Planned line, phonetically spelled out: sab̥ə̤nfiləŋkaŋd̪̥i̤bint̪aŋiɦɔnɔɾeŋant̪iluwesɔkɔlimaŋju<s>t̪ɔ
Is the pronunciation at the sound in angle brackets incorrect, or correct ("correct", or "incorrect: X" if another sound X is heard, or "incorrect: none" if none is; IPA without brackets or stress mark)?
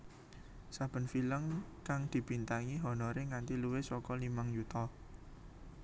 incorrect: none